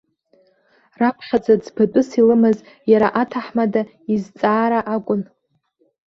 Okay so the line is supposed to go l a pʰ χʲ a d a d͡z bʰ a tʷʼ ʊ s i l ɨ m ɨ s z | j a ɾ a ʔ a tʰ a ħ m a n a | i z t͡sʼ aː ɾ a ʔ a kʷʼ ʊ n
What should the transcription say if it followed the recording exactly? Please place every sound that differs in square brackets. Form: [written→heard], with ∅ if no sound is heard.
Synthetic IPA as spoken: [l→r] a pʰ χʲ a [d→d͡z] a d͡z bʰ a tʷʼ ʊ s i l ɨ m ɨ [s→∅] z | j a ɾ a ʔ a tʰ a ħ m a [n→d] a | i z t͡sʼ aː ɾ a ʔ a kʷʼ ʊ n